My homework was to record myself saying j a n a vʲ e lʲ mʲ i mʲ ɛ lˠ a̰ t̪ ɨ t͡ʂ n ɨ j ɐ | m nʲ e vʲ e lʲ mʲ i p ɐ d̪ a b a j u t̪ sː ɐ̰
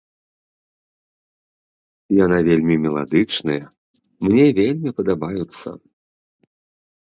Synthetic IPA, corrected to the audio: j a n a vʲ e lʲ mʲ i mʲ ɛ lˠ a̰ d̪ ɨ t͡ʂ n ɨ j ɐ | m nʲ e vʲ e lʲ mʲ i p ɐ d̪ a b a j u t̪ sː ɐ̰